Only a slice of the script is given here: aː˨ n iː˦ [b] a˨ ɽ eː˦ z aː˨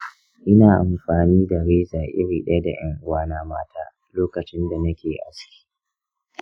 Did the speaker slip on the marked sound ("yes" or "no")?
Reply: yes